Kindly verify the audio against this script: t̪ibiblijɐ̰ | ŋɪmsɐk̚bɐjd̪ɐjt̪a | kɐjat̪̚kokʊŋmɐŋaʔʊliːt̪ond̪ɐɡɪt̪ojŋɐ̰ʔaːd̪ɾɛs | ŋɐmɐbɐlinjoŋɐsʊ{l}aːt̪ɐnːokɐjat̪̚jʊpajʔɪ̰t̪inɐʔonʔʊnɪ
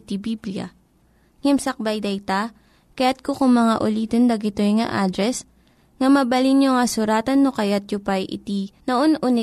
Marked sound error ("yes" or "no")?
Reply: yes